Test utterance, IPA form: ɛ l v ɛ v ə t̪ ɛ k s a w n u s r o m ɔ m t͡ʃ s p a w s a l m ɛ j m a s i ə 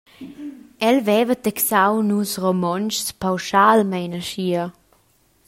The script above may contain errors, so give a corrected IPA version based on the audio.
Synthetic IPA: ɛ l v ɛ v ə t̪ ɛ k s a w n u s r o m ɔ n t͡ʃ s p a w ʃ a l m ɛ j n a ʃ i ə